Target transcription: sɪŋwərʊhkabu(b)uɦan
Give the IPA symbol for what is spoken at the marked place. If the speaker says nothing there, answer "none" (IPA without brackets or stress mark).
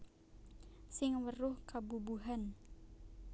b